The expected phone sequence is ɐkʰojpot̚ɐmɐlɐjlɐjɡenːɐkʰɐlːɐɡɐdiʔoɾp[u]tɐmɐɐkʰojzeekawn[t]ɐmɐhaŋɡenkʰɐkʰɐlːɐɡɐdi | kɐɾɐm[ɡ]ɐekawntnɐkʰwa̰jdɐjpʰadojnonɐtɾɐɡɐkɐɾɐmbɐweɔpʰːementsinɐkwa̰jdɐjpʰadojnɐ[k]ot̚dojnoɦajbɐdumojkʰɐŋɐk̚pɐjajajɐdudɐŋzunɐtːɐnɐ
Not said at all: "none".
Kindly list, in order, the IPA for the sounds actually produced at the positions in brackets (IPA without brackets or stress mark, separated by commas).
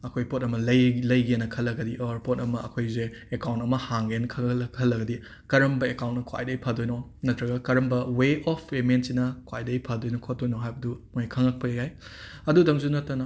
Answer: o, t, b, kʰ